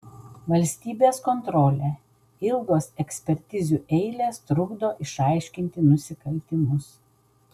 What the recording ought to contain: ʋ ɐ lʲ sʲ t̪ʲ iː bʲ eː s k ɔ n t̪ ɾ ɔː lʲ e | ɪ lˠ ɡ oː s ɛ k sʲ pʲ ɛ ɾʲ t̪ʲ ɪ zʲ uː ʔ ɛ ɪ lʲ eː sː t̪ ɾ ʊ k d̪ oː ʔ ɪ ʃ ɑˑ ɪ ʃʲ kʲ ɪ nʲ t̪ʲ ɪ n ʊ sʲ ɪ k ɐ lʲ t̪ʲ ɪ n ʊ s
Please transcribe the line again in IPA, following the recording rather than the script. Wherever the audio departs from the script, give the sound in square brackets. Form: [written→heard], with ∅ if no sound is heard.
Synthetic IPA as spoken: ʋ ɐ lʲ sʲ t̪ʲ iː bʲ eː s k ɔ n t̪ ɾ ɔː lʲ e | ɪ lˠ ɡ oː s ɛ k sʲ pʲ ɛ ɾʲ t̪ʲ ɪ zʲ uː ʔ ɛ ɪ lʲ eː [sː→s] t̪ ɾ ʊ [k→ɡ] d̪ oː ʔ ɪ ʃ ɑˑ ɪ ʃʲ kʲ ɪ nʲ t̪ʲ ɪ n ʊ sʲ ɪ k ɐ lʲ t̪ʲ ɪ [n→m] ʊ s